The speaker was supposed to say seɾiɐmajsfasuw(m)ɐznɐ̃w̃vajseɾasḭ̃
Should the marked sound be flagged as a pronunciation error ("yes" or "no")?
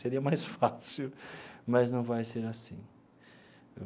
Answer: no